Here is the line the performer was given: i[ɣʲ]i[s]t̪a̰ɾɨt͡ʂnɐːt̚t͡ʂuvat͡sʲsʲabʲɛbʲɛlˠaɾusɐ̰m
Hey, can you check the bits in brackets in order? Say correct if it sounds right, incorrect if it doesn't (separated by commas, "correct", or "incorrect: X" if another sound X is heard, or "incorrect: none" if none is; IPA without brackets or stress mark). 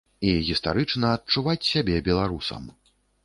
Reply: correct, correct